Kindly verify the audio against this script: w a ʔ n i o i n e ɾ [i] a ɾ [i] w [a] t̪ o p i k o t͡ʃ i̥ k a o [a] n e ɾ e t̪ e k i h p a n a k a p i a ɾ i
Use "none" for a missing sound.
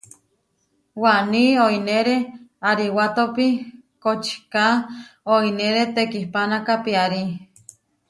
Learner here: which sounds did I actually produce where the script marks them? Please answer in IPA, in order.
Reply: e, i, a, i

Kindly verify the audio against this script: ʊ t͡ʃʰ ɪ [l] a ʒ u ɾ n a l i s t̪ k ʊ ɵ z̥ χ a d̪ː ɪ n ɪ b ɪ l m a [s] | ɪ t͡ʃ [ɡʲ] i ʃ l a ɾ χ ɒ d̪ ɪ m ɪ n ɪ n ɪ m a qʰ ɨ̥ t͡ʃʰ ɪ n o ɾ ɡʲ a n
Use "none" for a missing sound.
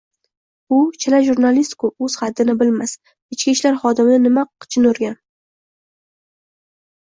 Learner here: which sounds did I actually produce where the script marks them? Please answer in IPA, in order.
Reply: l, s, kʲ

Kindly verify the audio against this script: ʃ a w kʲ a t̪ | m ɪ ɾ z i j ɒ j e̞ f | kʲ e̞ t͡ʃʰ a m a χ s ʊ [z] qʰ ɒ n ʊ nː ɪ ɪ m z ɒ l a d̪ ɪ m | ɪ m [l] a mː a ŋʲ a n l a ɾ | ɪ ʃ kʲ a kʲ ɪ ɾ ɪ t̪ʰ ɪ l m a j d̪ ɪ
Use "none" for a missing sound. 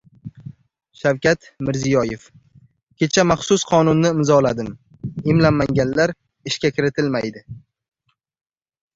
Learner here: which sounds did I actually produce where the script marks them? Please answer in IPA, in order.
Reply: s, l

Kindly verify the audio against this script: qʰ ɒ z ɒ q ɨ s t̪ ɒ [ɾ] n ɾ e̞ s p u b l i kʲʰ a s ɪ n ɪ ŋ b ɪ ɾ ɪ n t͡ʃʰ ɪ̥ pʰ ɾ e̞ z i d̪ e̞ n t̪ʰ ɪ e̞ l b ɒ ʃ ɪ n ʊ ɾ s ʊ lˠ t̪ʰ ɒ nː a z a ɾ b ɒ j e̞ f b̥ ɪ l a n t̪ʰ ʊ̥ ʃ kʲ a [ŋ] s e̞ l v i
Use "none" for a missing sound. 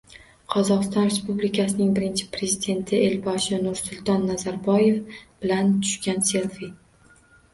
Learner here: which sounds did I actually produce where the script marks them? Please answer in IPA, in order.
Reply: none, n

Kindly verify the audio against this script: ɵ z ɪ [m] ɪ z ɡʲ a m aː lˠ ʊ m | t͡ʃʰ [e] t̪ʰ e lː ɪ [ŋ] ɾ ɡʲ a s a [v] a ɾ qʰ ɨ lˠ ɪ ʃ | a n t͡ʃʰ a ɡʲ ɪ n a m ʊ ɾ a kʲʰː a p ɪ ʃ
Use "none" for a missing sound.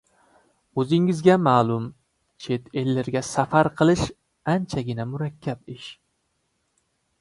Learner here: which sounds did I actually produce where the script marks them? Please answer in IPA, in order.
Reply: ŋ, e, none, f

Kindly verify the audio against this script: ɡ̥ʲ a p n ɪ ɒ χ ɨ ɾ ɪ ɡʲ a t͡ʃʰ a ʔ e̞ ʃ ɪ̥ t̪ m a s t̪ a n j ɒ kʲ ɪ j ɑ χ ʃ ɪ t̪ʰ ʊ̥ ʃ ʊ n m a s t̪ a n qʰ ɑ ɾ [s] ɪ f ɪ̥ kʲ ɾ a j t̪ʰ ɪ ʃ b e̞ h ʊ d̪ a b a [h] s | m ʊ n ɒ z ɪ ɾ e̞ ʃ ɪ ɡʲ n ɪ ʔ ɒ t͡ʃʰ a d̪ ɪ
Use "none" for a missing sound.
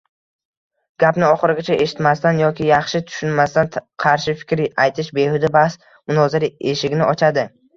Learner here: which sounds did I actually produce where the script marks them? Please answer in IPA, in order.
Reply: ʃ, h

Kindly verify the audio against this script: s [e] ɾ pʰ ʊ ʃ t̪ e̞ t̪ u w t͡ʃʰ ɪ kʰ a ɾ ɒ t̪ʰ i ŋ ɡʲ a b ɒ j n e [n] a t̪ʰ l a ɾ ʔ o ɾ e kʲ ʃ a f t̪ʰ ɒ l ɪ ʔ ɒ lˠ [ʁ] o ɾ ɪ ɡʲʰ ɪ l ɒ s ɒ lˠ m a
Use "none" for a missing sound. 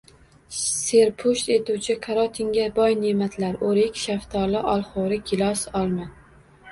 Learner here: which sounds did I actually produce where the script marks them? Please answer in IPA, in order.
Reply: e, m, χ

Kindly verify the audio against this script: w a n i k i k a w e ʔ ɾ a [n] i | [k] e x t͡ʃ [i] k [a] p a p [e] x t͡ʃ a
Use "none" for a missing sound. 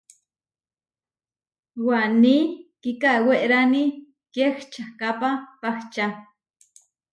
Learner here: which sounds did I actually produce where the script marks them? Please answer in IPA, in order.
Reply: n, k, a, a, a

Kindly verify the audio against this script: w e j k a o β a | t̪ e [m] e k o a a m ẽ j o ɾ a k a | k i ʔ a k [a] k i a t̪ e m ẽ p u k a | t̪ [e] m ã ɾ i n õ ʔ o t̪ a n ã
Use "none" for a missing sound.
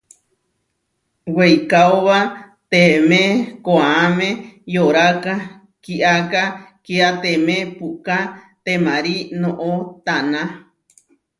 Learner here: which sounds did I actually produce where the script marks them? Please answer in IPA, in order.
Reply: m, a, e

